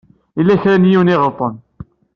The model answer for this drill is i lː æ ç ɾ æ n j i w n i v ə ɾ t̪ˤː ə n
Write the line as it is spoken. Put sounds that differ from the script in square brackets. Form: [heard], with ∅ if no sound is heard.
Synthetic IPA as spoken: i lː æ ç ɾ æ n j i w n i [ʁ] ə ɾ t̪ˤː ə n